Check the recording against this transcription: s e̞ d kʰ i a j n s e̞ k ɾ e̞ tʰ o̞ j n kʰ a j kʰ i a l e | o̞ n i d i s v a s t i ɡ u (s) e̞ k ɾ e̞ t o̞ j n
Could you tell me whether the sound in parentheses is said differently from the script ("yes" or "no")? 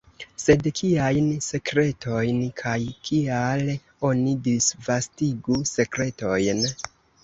no